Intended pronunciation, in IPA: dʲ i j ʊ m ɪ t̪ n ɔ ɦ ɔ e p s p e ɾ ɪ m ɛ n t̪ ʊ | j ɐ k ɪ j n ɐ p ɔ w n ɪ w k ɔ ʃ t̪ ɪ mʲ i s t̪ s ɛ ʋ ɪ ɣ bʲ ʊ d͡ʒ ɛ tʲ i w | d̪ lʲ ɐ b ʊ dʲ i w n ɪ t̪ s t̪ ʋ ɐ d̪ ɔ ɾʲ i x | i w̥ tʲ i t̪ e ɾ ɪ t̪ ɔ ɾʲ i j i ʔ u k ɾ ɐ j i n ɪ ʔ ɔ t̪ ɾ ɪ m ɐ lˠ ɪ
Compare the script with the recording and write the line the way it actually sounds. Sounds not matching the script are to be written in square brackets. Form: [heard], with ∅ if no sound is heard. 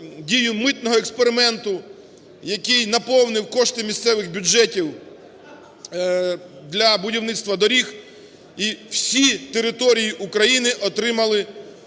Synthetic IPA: dʲ i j ʊ m ɪ t̪ n ɔ ɦ ɔ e [k] s p e ɾ ɪ m ɛ n t̪ ʊ | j ɐ k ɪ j n ɐ p ɔ w n ɪ w k ɔ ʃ t̪ ɪ mʲ i s t̪ s ɛ ʋ ɪ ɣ bʲ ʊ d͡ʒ ɛ tʲ i w | d̪ lʲ ɐ b ʊ dʲ i w n ɪ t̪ s t̪ ʋ ɐ d̪ ɔ ɾʲ i x | i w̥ [sʲ] i t̪ e ɾ ɪ t̪ ɔ ɾʲ i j i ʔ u k ɾ ɐ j i n ɪ ʔ ɔ t̪ ɾ ɪ m ɐ lˠ ɪ